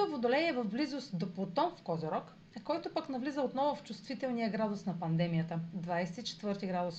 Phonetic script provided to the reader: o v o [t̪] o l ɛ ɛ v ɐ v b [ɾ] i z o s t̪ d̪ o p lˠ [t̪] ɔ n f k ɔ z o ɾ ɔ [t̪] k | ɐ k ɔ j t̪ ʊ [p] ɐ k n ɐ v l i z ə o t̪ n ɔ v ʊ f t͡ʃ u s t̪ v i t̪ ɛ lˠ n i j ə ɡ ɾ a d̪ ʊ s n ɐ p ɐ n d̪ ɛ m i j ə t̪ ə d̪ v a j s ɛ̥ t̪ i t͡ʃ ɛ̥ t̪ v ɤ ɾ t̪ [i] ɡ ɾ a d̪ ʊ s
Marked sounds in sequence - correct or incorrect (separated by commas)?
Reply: incorrect, incorrect, correct, incorrect, correct, correct